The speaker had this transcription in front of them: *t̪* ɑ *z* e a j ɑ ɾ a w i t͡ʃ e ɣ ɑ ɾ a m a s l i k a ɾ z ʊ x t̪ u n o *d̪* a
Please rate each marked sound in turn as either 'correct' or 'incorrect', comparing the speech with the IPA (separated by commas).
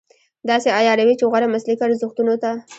incorrect, incorrect, incorrect